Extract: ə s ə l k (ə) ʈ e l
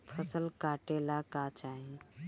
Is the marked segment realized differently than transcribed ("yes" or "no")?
yes